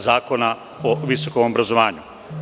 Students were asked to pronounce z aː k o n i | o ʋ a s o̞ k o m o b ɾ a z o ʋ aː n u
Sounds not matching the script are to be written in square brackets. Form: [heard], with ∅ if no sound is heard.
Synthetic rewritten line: z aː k o n [a] | o ʋ [i] s o̞ k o m o b ɾ a z o ʋ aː [ɲ] u